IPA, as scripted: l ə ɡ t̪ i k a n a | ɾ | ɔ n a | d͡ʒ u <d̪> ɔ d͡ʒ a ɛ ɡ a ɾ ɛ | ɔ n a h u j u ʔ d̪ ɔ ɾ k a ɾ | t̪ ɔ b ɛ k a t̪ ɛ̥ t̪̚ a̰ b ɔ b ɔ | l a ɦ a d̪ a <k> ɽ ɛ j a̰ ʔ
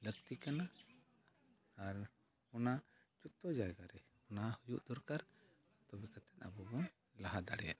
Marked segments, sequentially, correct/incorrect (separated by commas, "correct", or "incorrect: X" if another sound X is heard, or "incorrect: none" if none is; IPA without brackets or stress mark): incorrect: t̪, incorrect: none